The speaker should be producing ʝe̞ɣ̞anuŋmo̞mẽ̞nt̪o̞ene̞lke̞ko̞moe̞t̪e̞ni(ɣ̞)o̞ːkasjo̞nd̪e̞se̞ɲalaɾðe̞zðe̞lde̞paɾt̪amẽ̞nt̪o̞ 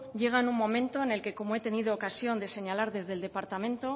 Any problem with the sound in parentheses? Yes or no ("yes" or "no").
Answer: yes